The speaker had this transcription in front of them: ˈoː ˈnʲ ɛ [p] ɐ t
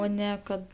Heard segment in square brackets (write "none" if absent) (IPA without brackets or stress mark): k